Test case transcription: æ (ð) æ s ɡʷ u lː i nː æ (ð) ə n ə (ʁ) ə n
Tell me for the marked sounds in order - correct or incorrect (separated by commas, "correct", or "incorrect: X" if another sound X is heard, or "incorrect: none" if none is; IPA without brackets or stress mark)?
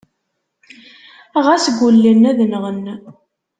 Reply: incorrect: ʁ, correct, correct